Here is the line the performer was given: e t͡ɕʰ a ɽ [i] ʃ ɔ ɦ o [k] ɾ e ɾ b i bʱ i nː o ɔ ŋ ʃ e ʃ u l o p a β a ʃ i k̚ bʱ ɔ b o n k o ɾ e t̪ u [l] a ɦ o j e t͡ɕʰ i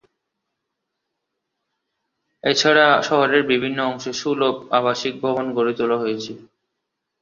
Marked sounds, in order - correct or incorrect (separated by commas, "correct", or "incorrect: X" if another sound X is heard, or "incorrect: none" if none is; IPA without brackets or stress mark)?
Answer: incorrect: a, incorrect: none, correct